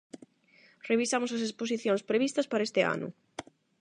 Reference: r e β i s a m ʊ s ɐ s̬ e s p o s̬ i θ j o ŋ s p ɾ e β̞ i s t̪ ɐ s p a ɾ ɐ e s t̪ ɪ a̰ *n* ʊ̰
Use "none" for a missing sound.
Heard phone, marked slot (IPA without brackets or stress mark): n